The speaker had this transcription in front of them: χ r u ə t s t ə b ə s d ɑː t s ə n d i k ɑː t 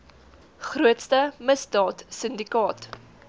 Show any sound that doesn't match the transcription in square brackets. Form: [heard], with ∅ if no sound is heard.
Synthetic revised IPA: χ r u ə t s t ə [m] ə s d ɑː t s ə n d i k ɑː t